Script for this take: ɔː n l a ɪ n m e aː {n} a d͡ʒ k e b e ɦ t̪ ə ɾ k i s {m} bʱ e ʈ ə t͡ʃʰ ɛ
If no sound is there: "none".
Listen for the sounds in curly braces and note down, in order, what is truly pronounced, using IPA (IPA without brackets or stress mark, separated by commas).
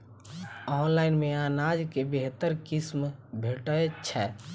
n, m